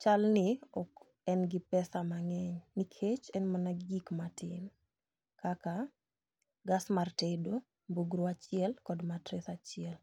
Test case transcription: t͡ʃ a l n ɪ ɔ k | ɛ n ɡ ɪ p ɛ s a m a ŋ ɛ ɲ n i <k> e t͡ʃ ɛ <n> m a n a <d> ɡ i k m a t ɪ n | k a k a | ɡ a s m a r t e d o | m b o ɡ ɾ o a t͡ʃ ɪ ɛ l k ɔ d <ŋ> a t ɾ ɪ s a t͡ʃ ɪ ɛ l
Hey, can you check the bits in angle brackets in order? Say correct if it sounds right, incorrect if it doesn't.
incorrect, correct, incorrect, incorrect

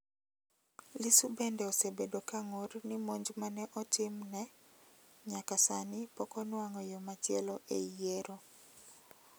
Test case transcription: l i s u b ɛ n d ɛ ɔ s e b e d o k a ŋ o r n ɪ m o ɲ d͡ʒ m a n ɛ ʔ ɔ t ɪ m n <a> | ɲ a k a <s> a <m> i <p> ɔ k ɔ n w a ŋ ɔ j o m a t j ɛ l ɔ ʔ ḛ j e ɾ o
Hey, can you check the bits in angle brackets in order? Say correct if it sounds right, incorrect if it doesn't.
incorrect, correct, incorrect, correct

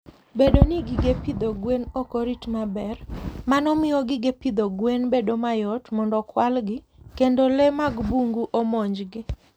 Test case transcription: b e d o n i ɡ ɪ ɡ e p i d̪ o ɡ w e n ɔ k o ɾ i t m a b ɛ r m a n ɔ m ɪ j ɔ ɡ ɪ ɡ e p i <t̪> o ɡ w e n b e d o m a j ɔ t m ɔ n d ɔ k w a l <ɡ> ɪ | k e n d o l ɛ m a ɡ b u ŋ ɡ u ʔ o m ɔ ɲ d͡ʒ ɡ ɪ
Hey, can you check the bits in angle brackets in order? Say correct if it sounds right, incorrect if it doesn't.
incorrect, correct

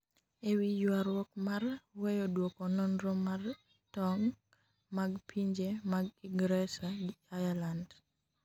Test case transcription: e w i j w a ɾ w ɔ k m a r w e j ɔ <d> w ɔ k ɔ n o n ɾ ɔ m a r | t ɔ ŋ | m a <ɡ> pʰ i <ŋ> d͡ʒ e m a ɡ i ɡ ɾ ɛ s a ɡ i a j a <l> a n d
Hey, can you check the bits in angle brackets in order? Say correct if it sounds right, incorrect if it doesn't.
correct, correct, incorrect, correct

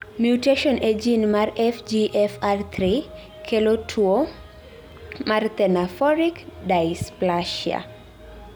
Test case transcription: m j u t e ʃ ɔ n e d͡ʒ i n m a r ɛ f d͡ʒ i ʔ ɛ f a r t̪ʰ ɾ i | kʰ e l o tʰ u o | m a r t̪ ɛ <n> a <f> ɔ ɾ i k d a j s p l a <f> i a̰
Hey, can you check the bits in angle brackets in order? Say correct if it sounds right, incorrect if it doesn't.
correct, correct, incorrect

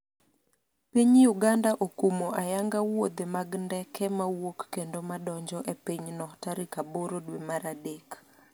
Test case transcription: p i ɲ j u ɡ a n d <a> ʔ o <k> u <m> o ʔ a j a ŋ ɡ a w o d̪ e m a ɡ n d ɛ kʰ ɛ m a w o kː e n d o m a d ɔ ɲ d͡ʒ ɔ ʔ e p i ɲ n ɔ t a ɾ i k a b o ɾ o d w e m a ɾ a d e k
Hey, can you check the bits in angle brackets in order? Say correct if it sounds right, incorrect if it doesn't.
correct, correct, correct

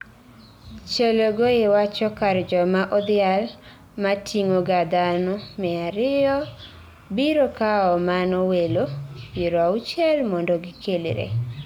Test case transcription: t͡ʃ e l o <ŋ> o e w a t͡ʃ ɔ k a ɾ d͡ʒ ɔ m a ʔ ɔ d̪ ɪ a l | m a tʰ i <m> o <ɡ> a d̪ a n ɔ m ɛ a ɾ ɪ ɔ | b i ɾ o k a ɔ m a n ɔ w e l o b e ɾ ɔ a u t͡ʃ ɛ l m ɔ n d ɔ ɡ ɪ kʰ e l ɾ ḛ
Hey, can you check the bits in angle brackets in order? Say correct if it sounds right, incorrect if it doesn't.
incorrect, incorrect, correct

